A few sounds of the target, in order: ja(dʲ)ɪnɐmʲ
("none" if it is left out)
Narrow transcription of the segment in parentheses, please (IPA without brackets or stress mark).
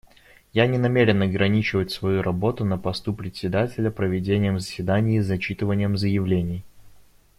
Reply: nʲ